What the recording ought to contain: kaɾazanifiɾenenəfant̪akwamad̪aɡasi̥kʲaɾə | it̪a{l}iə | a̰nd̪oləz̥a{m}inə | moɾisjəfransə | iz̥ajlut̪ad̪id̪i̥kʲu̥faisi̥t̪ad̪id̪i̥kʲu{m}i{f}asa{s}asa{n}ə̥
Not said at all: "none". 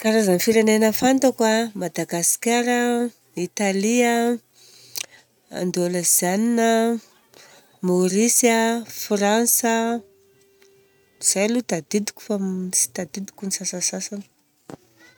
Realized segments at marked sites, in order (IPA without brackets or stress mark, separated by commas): l, n, n, s, s, n